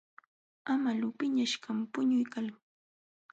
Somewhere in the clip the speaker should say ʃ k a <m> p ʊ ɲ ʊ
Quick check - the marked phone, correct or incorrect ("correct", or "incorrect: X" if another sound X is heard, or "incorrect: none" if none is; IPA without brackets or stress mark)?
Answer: correct